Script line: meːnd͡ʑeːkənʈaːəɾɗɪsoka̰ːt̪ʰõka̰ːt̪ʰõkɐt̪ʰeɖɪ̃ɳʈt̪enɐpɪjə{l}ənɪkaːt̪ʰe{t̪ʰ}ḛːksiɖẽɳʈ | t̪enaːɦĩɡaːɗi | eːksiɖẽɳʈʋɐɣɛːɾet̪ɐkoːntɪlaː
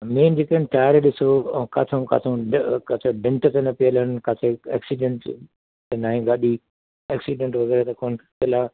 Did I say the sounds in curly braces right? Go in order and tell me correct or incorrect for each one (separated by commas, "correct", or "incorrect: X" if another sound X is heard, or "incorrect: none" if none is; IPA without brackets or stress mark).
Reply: correct, incorrect: none